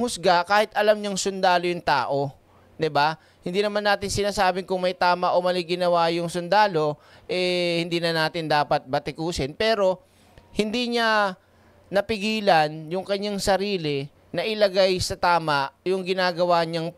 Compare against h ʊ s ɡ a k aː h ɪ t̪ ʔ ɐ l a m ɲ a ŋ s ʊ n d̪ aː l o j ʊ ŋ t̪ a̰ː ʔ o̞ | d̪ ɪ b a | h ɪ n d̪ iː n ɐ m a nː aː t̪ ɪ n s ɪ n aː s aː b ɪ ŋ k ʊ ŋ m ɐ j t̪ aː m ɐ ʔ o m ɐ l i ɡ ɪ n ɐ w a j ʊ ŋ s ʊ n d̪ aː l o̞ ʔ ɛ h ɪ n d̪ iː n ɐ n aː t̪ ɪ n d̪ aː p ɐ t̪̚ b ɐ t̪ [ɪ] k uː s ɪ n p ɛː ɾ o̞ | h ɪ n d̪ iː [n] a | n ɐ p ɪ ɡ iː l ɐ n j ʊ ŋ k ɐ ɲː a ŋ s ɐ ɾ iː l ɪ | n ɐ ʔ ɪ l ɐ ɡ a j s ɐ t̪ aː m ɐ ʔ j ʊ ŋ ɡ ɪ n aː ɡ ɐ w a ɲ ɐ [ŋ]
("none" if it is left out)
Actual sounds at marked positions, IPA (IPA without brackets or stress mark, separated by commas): ɪ, ɲ, ŋ